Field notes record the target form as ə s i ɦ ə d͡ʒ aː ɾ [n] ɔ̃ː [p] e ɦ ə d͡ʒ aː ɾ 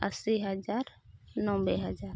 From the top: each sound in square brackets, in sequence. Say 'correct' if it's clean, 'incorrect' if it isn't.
correct, incorrect: b

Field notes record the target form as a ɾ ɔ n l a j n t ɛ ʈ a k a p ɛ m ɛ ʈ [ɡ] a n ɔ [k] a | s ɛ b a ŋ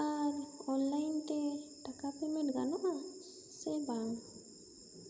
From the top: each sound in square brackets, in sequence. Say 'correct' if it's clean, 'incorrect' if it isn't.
correct, incorrect: ʔ

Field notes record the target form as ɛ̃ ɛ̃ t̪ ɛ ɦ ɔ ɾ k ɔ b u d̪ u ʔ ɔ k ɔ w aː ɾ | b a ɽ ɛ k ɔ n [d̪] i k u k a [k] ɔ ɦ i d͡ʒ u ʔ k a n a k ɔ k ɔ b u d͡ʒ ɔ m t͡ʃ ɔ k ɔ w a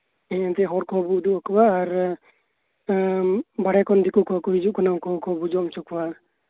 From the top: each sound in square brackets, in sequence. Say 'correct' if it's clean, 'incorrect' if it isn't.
correct, correct

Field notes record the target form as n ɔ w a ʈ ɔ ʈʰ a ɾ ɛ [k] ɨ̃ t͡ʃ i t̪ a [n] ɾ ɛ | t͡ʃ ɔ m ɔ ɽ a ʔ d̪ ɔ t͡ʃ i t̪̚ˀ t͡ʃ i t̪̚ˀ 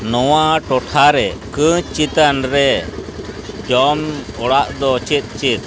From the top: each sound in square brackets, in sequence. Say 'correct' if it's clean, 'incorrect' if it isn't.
correct, correct

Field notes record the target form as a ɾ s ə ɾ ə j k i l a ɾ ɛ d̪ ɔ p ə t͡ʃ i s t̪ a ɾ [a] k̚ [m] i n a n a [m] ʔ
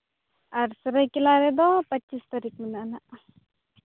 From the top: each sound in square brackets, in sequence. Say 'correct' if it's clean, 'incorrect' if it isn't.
incorrect: i, correct, incorrect: none

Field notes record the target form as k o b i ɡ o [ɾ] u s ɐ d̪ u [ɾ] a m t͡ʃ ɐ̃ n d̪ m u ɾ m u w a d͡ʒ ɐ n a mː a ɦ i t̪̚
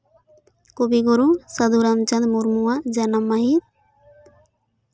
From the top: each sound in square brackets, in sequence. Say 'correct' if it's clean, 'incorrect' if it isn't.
correct, correct

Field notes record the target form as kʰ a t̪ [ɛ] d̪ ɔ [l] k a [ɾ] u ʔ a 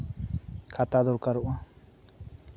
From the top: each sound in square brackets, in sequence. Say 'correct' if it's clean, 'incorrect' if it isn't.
incorrect: a, incorrect: ɾ, correct

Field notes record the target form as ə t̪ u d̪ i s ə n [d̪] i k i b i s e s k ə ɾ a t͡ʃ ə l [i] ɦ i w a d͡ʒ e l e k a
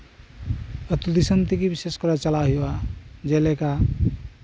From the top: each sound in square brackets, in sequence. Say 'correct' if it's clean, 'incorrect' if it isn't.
incorrect: t̪, incorrect: a

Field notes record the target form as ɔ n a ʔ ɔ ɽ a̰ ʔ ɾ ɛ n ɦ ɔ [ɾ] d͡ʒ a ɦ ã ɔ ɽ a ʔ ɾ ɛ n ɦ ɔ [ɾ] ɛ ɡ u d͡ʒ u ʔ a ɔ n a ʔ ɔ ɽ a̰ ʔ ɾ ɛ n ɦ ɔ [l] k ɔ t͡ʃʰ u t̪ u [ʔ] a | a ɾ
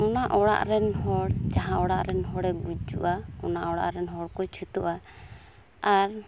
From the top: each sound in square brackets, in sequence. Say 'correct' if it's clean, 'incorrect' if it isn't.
incorrect: ɽ, incorrect: ɽ, incorrect: ɽ, correct

